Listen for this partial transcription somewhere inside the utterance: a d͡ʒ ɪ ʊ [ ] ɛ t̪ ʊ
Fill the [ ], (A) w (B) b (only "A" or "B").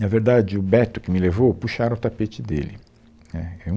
B